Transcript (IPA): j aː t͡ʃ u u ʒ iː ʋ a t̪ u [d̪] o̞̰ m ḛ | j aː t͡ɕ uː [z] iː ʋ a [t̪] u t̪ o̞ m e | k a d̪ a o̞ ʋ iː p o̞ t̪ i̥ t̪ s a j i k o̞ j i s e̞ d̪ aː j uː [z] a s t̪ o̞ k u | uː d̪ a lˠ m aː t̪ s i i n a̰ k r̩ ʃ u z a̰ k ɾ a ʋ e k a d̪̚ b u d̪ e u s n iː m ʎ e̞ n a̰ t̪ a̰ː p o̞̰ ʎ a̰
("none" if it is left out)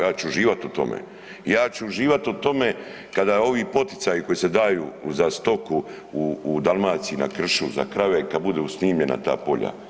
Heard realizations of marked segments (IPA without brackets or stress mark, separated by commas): t̪, ʒ, t̪, z